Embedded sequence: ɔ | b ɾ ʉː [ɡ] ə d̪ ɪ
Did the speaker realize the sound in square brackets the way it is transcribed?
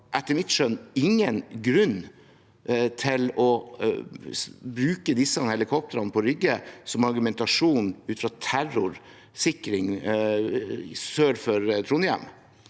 no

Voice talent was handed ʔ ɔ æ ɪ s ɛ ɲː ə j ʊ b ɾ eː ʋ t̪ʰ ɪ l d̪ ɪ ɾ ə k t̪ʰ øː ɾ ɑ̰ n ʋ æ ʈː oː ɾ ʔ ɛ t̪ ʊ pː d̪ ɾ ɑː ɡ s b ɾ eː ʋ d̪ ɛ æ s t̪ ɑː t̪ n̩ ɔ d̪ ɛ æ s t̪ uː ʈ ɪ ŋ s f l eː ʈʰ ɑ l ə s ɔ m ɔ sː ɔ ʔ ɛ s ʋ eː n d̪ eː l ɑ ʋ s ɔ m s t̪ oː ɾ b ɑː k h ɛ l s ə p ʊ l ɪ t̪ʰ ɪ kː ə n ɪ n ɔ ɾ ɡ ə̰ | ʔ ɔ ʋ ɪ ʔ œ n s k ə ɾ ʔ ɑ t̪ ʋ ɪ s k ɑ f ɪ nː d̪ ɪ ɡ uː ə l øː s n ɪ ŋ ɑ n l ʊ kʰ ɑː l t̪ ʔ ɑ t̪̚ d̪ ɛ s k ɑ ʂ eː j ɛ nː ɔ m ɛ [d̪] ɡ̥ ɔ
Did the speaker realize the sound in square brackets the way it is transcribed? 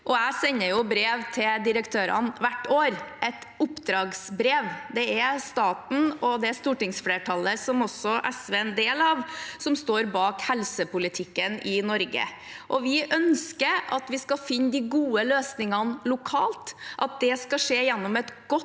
no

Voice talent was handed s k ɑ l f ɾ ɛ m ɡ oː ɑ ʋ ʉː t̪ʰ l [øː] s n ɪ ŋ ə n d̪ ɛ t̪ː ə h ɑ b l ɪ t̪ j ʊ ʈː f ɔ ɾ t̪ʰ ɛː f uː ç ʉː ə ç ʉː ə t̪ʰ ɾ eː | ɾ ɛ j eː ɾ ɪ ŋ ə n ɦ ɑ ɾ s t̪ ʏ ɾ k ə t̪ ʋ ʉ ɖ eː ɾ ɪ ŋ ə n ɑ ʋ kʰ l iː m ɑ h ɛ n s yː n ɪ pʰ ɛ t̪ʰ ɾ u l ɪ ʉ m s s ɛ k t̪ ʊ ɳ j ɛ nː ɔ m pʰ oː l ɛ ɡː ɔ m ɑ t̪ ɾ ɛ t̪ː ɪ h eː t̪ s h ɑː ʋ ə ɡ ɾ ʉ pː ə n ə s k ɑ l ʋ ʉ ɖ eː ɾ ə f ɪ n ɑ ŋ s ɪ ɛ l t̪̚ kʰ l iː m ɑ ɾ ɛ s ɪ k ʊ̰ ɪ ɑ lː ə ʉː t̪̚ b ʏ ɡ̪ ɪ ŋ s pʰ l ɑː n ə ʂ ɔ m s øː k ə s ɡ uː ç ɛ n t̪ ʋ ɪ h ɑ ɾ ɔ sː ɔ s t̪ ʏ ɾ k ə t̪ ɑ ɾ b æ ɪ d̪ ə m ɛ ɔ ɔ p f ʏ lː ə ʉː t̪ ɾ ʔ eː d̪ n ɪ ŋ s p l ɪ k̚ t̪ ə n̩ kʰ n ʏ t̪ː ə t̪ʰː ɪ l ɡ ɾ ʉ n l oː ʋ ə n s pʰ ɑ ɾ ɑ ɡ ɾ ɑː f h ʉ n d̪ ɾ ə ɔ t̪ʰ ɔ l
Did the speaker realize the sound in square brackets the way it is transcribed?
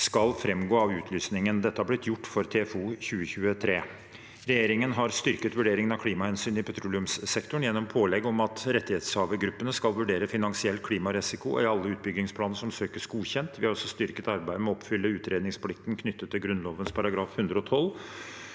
no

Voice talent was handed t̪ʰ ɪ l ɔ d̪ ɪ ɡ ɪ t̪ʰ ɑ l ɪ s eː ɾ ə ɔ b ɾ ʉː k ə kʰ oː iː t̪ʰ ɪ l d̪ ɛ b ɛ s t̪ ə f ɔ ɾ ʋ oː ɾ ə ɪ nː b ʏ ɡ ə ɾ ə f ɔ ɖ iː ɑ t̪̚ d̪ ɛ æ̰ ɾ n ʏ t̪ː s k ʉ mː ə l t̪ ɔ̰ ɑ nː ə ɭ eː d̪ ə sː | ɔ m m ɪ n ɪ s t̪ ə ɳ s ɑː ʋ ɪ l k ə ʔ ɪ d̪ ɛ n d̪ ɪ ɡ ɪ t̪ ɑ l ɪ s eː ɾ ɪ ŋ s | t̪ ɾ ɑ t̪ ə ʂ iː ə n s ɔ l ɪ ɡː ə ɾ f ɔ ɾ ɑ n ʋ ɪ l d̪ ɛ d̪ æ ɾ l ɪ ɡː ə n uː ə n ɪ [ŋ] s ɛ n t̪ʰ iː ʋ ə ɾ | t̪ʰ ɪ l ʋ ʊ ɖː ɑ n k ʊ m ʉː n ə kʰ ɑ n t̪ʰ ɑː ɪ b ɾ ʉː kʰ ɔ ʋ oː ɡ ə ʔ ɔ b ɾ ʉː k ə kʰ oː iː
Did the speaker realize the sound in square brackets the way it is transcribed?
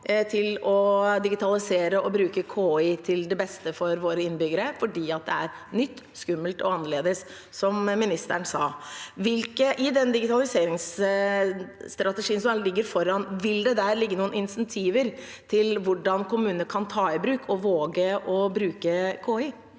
no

